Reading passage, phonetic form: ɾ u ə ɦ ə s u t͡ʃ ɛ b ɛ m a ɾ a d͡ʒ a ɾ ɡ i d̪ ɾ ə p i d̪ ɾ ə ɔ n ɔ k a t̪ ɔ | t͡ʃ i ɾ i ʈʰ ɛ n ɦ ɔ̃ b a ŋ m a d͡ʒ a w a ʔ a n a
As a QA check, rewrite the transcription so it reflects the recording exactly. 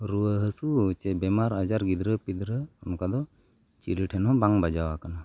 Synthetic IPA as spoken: ɾ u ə ɦ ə s u t͡ʃ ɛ b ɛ m a ɾ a d͡ʒ a ɾ ɡ i d̪ ɾ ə p i d̪ ɾ ə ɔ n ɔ k a d̪ ɔ | t͡ʃ i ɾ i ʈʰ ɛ n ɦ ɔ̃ b a ŋ b a d͡ʒ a w a k a n a

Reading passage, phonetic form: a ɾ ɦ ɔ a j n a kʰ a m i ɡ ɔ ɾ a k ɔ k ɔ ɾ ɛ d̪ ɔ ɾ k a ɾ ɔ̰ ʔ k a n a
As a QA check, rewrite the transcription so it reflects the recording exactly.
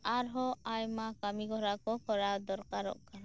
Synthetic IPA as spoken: a ɾ ɦ ɔ a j m a k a m i ɡ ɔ ɾ a k ɔ k ɔ ɾ a d̪ ɔ ɾ k a ɾ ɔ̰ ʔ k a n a

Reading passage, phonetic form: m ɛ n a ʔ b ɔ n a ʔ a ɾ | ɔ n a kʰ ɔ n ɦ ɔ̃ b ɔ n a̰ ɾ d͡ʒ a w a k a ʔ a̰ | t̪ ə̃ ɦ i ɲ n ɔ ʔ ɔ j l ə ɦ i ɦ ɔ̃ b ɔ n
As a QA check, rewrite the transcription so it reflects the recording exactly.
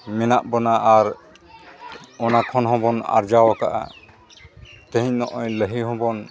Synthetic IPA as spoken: m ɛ n a ʔ b ɔ n a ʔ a ɾ | ɔ n a kʰ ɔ n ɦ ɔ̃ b ɔ n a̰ ɾ d͡ʒ a w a k a ʔ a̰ | t̪ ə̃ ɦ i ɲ n ɔ ʔ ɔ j l ə ɦ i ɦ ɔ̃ b ɔ n

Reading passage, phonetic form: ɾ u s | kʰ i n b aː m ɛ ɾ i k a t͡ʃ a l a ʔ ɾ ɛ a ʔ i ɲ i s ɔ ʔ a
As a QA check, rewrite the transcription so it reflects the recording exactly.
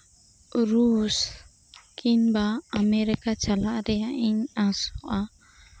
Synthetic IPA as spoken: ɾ u s | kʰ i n b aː m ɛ ɾ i k a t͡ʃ a l a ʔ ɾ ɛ a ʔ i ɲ a s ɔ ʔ a

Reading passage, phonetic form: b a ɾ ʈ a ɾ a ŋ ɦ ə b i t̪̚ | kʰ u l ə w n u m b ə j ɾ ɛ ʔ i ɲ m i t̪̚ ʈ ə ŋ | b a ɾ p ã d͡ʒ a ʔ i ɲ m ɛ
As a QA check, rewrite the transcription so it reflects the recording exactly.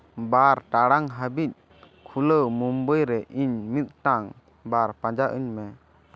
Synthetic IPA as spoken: b a ɾ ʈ a ɽ a ŋ ɦ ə b i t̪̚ | kʰ u l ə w m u m b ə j ɾ ɛ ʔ i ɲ m i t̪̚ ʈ a ŋ | b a ɾ p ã d͡ʒ a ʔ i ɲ m ɛ

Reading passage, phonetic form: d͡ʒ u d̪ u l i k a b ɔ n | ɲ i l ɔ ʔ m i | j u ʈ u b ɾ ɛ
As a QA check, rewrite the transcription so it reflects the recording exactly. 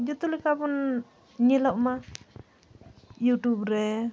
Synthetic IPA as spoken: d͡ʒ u t̪ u l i k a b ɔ n | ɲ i l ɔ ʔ m a | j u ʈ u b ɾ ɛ

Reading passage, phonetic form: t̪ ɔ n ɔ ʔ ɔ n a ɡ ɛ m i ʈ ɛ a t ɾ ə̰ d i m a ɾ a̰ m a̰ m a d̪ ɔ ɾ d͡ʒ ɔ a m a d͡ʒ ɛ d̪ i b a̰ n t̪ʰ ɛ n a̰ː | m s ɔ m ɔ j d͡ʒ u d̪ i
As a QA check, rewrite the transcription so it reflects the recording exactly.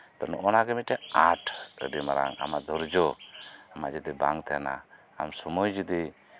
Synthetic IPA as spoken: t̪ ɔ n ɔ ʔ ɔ n a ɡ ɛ m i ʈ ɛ a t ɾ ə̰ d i m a ɾ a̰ ŋ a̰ m a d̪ ɔ ɾ d͡ʒ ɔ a m a d͡ʒ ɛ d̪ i b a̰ ŋ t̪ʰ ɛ n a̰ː | m s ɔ m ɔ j d͡ʒ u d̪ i

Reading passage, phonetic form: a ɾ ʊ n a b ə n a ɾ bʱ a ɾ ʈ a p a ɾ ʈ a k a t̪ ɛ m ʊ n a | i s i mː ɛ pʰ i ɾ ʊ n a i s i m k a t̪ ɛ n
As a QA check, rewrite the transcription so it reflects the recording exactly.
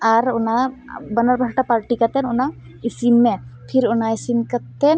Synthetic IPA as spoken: a ɾ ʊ n a b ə n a ɾ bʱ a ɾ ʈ a p a ɾ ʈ i k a t̪ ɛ n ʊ n a | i s i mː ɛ pʰ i ɾ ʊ n a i s i m k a t̪ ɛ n

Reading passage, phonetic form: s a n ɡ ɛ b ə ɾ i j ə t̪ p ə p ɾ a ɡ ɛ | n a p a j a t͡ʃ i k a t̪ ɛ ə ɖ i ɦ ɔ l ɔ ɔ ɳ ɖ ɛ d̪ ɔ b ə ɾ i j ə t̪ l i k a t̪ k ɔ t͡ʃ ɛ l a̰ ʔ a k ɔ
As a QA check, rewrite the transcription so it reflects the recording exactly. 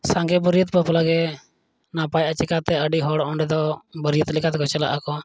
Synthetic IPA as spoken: s a ŋ ɡ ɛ b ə ɾ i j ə t̪ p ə p l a ɡ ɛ | n a p a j a t͡ʃ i k a t̪ ɛ ə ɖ i ɦ ɔ ɽ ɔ ɔ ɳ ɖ ɛ d̪ ɔ b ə ɾ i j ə t̪ l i k a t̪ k ɔ t͡ʃ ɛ l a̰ ʔ a k ɔ

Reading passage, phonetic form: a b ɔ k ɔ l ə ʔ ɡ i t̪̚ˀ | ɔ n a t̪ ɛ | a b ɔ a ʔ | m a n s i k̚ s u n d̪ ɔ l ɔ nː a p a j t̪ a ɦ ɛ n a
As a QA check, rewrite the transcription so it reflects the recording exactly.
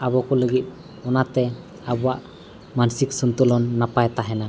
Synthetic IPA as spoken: a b ɔ k ɔ l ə ɡ i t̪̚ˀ | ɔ n a t̪ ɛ | a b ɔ a ʔ | m a n s i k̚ s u n t̪ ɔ l ɔ nː a p a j t̪ a ɦ ɛ n a

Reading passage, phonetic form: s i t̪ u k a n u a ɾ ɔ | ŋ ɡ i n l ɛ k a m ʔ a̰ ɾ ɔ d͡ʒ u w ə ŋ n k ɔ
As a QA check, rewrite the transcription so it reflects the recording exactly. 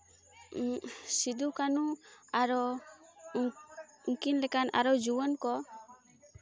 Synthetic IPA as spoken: s i d̪ u k a n u a ɾ ɔ | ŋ k i n l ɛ k a n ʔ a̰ ɾ ɔ d͡ʒ u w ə n k ɔ

